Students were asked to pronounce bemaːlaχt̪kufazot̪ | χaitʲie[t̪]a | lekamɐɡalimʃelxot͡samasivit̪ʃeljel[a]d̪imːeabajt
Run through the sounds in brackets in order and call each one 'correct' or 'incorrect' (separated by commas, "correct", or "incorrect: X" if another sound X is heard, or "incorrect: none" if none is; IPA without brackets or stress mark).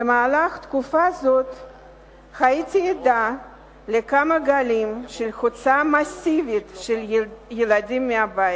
incorrect: d̪, correct